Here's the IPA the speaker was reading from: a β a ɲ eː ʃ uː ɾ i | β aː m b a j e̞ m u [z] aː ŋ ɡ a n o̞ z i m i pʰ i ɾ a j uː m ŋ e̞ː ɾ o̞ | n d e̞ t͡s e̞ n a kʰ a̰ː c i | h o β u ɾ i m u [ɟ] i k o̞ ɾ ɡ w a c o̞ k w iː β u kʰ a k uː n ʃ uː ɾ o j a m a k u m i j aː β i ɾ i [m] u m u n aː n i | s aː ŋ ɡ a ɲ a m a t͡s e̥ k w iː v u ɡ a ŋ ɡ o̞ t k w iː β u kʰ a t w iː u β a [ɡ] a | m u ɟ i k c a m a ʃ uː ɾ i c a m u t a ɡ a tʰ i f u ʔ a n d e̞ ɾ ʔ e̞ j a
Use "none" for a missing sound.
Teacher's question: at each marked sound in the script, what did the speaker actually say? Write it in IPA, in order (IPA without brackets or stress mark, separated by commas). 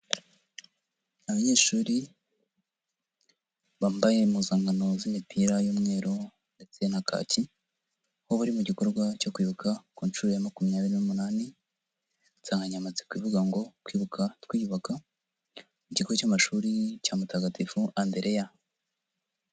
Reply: z, ɟ, n, k